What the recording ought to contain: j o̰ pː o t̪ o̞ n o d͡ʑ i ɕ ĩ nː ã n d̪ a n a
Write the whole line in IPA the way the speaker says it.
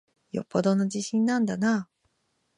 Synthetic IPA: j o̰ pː o d̪ o̞ n o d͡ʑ i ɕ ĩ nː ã n d̪ a n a